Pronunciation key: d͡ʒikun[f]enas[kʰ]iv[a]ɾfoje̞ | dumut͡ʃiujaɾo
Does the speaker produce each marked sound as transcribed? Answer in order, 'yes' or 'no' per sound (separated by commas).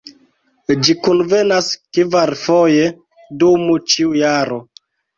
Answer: no, no, yes